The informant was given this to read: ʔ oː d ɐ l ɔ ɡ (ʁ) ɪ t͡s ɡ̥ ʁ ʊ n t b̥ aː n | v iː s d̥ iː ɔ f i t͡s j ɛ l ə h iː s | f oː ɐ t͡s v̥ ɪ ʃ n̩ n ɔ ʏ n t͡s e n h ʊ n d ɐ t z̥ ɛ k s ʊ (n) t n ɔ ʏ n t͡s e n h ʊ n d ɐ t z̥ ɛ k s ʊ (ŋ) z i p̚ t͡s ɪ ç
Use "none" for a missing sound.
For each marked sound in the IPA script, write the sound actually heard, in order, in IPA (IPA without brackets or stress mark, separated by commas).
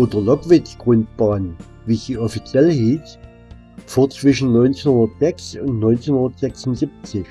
v, n, n